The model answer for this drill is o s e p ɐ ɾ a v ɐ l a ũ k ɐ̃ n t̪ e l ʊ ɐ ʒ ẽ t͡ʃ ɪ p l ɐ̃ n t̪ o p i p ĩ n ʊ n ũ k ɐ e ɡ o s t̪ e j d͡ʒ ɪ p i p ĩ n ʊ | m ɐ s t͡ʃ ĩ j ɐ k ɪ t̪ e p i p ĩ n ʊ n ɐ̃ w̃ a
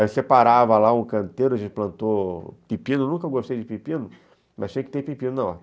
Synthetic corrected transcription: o s e p a ɾ a v ɐ l a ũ k ɐ̃ n t̪ e ɾ ʊ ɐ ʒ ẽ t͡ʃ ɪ p l ɐ̃ n t̪ o p i p ĩ n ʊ n ũ k ɐ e ɡ o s t̪ e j d͡ʒ ɪ p i p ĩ n ʊ | m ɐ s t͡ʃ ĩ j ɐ k ɪ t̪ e p i p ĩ n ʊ n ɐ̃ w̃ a